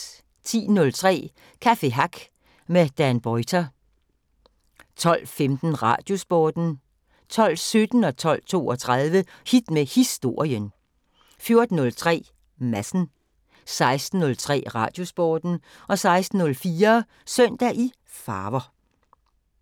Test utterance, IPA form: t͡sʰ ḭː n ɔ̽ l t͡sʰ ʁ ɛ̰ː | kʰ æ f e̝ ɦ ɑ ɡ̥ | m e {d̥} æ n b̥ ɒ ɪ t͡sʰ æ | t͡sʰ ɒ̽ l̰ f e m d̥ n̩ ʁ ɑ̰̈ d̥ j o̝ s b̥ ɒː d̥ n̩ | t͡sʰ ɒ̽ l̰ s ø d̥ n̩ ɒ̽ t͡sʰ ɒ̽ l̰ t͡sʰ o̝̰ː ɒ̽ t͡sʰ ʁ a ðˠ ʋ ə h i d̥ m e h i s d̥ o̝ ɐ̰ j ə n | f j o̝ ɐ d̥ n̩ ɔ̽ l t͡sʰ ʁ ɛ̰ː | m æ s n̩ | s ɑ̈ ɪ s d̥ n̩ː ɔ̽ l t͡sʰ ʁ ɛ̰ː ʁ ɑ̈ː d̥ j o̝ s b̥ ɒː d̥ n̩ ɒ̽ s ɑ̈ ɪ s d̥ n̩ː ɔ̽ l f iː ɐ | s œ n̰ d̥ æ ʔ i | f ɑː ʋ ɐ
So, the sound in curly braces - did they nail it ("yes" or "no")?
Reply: yes